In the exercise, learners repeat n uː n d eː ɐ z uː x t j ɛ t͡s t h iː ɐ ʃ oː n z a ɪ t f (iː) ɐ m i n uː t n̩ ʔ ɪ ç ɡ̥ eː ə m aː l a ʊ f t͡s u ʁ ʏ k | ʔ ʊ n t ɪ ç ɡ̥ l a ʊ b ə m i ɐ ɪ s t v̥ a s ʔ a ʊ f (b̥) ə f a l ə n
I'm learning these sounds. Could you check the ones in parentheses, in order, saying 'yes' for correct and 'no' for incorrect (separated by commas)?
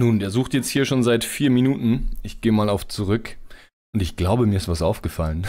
yes, no